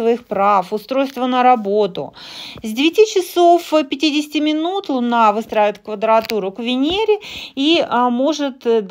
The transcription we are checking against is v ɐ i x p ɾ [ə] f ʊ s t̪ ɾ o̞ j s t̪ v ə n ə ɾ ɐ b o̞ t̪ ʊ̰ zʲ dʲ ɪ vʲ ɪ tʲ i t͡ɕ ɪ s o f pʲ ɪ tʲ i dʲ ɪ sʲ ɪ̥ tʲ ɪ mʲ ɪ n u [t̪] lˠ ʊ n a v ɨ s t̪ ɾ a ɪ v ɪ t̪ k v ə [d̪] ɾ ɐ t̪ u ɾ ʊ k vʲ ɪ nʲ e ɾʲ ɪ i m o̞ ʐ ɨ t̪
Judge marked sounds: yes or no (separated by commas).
no, yes, yes